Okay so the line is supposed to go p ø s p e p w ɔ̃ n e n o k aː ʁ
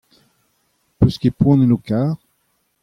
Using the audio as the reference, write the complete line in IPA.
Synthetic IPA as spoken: p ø s k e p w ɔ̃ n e n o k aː ʁ